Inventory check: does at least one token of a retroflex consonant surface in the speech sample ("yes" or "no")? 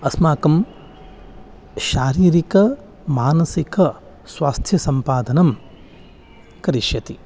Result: no